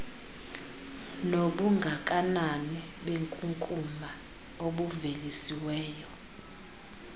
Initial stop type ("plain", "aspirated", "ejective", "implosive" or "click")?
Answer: implosive